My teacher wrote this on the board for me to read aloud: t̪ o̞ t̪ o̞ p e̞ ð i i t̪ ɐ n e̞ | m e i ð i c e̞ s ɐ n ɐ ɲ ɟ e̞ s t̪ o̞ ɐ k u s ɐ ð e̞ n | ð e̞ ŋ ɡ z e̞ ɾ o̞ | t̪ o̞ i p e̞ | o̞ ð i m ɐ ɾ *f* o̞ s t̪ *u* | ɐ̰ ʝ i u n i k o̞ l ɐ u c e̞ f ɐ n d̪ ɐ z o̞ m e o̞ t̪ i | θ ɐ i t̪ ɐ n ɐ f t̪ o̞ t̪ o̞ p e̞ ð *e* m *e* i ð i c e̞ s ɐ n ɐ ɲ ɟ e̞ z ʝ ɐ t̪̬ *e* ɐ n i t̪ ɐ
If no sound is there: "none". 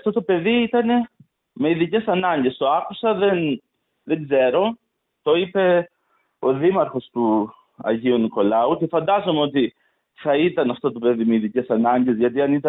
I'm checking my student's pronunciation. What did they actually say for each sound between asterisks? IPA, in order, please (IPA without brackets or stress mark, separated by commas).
x, u, i, e, i